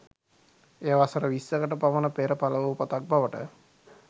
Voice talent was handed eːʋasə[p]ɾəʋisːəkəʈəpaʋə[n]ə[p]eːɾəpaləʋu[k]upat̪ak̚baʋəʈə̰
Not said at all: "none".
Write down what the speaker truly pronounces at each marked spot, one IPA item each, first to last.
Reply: none, n, p, none

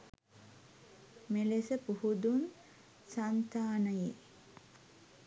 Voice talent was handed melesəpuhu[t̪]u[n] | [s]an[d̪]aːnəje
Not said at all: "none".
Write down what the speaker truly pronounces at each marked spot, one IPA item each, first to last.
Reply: d̪, n, s, t̪

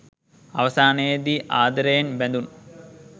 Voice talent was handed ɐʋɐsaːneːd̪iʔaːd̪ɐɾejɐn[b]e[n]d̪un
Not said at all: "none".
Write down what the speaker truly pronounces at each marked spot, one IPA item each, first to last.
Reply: b, n

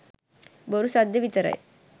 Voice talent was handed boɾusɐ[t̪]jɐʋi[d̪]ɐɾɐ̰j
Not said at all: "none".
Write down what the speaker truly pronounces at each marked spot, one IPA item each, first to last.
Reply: d̪, t̪

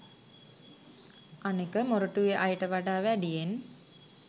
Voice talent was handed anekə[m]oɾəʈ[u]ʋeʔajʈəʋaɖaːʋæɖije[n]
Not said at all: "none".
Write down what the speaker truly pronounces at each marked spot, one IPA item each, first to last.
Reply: m, u, n

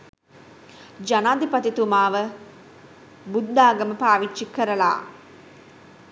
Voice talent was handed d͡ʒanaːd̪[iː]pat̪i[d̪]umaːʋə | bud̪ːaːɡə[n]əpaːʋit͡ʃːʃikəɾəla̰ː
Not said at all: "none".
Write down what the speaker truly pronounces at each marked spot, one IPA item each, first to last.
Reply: i, t̪, m

